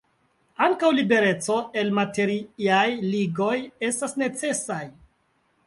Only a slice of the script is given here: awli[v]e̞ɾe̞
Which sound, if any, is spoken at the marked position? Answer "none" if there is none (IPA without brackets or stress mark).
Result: b